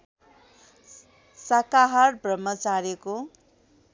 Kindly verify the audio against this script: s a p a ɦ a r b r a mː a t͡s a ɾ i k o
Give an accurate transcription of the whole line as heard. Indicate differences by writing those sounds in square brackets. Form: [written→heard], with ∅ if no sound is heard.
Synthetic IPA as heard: s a [p→k] a ɦ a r b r [a→ʌ] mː [a→ʌ] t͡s a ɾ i k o